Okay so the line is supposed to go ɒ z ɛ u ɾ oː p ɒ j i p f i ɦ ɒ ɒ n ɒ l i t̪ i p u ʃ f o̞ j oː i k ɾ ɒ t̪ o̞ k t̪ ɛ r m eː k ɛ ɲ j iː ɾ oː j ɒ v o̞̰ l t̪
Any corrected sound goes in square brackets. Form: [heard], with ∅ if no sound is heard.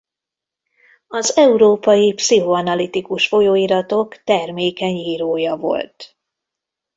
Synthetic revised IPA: ɒ z ɛ u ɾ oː p ɒ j i p [s] i ɦ [o] ɒ n ɒ l i t̪ i [k] u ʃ f o̞ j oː i [∅] ɾ ɒ t̪ o̞ k t̪ ɛ r m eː k ɛ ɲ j iː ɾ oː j ɒ v o̞̰ l t̪

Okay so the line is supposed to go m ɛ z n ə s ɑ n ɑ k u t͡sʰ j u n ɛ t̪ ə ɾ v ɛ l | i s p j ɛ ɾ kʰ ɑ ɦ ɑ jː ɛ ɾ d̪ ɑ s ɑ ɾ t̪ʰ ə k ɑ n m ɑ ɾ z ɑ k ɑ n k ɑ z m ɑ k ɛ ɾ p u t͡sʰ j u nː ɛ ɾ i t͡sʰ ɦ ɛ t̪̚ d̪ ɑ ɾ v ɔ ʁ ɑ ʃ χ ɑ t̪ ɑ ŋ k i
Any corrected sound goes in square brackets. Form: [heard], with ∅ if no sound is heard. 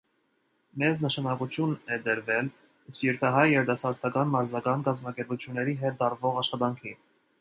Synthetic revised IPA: m ɛ z n ə [ʃ] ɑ n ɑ k u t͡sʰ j u n ɛ [d̪] ə ɾ v ɛ l | i s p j ɛ ɾ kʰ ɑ ɦ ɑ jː ɛ ɾ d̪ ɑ s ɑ ɾ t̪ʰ [ɑ] k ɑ n m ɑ ɾ z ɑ k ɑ n k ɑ z m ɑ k ɛ ɾ p u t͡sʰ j u nː ɛ ɾ i [∅] ɦ ɛ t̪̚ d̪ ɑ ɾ v ɔ ʁ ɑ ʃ χ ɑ t̪ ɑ ŋ [kʰ] i

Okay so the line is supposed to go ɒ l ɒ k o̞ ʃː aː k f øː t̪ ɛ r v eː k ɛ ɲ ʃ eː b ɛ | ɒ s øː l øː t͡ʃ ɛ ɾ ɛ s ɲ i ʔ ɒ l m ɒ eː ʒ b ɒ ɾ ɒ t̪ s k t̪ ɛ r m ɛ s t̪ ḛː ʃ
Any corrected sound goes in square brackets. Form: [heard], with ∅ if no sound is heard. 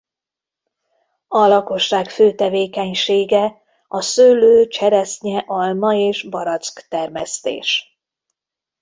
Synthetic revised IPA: ɒ l ɒ k o̞ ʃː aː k f øː t̪ ɛ [∅] v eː k ɛ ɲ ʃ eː [ɡ] ɛ | ɒ s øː l øː t͡ʃ ɛ ɾ ɛ s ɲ [ɛ] ʔ ɒ l m ɒ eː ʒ b ɒ ɾ ɒ t̪ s k t̪ ɛ r m ɛ s t̪ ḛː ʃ

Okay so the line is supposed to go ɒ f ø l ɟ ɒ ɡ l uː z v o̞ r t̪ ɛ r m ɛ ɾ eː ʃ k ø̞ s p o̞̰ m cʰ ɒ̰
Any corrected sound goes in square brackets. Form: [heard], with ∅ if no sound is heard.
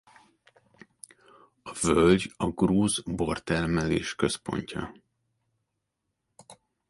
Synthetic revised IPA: ɒ [v] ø l ɟ ɒ ɡ [r] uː z [b] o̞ r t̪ ɛ r m ɛ [l] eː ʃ k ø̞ s p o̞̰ [ɲ] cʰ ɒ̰

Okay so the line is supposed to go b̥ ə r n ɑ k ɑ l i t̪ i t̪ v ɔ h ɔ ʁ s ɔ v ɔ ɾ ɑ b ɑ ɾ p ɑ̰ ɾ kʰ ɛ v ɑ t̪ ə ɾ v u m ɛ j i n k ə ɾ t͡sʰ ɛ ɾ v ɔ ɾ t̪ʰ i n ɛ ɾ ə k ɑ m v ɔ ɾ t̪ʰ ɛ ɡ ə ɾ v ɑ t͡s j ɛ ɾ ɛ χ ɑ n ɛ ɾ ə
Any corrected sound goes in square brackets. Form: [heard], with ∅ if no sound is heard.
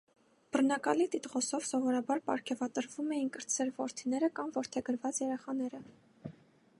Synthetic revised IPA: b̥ ə r n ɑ k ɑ l i t̪ i t̪ [ʁ] ɔ [s] ɔ [v] s ɔ v ɔ ɾ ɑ b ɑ ɾ p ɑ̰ ɾ kʰ ɛ v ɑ t̪ ə ɾ v u m ɛ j i n k ə ɾ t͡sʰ ɛ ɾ v ɔ ɾ t̪ʰ i n ɛ ɾ ə k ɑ m v ɔ ɾ t̪ʰ ɛ ɡ ə ɾ v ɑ t͡s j ɛ ɾ ɛ χ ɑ n ɛ ɾ ə

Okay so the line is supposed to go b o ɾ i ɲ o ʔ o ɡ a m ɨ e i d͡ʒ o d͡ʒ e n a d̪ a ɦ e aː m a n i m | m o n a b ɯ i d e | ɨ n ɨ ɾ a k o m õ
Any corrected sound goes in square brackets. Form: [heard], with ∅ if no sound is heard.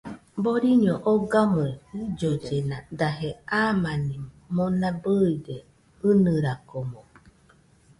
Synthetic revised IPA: b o ɾ i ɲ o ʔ o ɡ a m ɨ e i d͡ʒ o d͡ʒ e n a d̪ a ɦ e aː m a n i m | m o n a b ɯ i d e | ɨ n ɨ ɾ a k o m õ

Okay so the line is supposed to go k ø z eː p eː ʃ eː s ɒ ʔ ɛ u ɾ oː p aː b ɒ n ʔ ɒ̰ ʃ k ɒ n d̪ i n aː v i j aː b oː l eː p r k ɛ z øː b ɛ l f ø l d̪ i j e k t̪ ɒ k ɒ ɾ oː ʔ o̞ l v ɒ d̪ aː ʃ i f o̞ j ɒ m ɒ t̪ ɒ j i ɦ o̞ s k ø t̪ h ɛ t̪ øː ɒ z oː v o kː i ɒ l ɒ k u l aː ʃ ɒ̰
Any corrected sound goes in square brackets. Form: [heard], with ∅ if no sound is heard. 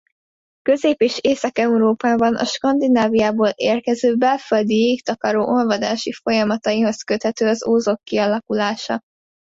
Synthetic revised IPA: k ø z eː p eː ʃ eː s ɒ [k] ɛ u ɾ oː p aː b ɒ n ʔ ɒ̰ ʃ k ɒ n d̪ i n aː v i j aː b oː l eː [∅] r k ɛ z øː b ɛ l f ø l d̪ i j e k t̪ ɒ k ɒ ɾ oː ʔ o̞ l v ɒ d̪ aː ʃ i f o̞ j ɒ m ɒ t̪ ɒ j i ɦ o̞ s k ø t̪ h ɛ t̪ øː ɒ z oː [z] o kː i ɒ l ɒ k u l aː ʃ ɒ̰

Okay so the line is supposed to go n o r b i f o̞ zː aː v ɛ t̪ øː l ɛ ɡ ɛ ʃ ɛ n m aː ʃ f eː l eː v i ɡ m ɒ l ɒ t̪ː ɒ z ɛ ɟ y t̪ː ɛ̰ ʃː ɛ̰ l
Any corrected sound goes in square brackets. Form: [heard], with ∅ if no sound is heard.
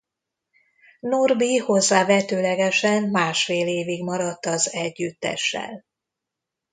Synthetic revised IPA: n o r b i [h] o̞ zː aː v ɛ t̪ øː l ɛ ɡ ɛ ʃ ɛ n m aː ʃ f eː l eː v i ɡ m ɒ [ɾ] ɒ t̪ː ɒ z ɛ [ɟː] y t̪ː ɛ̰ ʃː ɛ̰ l

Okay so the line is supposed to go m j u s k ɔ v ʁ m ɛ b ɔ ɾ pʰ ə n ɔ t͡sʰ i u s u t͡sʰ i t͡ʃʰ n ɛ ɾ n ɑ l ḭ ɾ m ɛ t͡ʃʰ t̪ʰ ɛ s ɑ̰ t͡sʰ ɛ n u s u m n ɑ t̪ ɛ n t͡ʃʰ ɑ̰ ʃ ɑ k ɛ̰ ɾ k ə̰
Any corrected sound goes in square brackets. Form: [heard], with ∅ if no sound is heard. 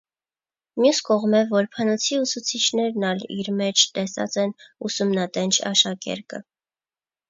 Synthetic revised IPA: m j u s k ɔ [∅] ʁ m ɛ [v] ɔ ɾ pʰ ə n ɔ t͡sʰ i u s u t͡sʰ i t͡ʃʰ n ɛ ɾ n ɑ l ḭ ɾ m ɛ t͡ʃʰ [t̪] ɛ s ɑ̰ [t͡s] ɛ n u s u m n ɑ t̪ ɛ n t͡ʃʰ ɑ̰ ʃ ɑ k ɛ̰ ɾ k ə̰

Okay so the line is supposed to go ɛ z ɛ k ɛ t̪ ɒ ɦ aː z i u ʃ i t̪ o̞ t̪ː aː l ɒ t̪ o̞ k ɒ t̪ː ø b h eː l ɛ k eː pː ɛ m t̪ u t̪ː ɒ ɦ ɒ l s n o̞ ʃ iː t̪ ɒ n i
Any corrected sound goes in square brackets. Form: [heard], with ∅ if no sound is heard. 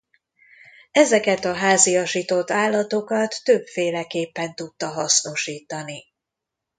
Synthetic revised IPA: ɛ z ɛ k ɛ t̪ ɒ ɦ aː z i [ɒ] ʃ i t̪ o̞ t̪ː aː [lː] ɒ t̪ o̞ k ɒ t̪ː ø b [f] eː l ɛ k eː pː ɛ [n] t̪ u t̪ː ɒ ɦ ɒ [∅] s n o̞ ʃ iː t̪ ɒ n i

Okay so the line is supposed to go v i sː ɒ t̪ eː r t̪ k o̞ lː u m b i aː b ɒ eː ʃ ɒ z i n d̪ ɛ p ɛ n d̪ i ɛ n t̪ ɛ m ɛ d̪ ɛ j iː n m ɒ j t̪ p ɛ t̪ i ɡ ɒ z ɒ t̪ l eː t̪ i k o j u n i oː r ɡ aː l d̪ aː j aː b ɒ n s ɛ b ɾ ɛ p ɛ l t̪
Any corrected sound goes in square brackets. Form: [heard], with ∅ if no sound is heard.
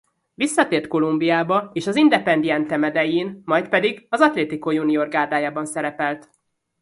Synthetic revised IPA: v i sː ɒ t̪ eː r t̪ k o̞ [l] u m b i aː b ɒ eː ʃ ɒ z i n d̪ ɛ p ɛ n d̪ i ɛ n t̪ ɛ m ɛ d̪ ɛ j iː n m ɒ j t̪ p ɛ [d̪] i ɡ ɒ z ɒ t̪ l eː t̪ i k o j u n i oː r ɡ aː [r] d̪ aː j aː b ɒ n s ɛ [∅] ɾ ɛ p ɛ l t̪

